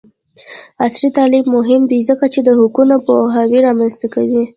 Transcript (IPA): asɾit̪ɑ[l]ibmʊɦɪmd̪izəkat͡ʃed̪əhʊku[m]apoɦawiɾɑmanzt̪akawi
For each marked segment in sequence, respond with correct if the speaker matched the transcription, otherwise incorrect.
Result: correct, incorrect: n

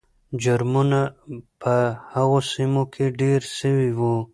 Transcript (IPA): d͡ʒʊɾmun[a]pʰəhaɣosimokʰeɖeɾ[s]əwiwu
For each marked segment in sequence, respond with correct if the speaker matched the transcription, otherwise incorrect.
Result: correct, correct

